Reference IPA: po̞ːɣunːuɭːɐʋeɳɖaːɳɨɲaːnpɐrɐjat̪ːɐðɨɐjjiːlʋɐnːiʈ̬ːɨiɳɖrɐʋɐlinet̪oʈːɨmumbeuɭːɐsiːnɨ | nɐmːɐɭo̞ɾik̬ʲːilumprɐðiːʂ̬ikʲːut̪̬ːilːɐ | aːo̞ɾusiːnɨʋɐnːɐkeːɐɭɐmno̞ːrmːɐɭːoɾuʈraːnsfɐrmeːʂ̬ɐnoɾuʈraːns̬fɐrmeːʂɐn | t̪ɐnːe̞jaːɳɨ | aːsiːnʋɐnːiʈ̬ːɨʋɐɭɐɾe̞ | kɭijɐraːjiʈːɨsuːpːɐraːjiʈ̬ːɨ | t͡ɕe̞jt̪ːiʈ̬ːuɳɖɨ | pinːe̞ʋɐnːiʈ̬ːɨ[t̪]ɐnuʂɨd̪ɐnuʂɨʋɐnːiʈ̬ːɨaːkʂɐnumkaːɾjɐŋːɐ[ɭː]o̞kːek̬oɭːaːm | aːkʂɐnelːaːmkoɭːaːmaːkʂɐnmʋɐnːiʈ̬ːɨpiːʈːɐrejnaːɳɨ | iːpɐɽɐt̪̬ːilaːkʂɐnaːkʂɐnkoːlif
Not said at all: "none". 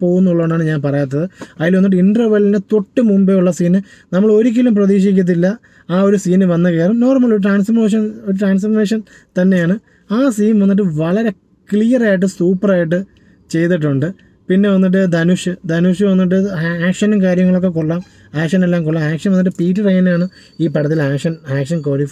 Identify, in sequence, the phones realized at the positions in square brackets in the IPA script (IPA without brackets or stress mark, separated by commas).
d̪, ɭ